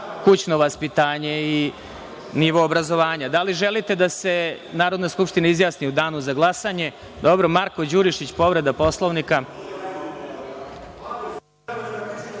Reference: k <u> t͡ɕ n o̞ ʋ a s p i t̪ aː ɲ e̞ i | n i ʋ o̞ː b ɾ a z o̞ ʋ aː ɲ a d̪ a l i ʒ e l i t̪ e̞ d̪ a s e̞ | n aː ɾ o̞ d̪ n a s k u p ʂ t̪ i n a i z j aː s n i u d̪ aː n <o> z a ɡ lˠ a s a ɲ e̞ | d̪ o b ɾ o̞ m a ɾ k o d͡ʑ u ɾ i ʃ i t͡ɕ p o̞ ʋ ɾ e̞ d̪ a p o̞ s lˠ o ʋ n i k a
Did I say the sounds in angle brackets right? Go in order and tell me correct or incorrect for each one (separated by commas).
correct, incorrect